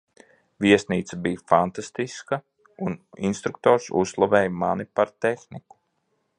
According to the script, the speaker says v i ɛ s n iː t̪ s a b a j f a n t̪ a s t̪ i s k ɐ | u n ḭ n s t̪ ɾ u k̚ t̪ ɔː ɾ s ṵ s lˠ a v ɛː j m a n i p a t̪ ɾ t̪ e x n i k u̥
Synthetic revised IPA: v i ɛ s n iː t̪ s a b i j f a n t̪ a s t̪ i s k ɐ | u n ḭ n s t̪ ɾ u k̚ t̪ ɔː ɾ s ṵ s lˠ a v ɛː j m a n i p a ɾ t̪ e x n i k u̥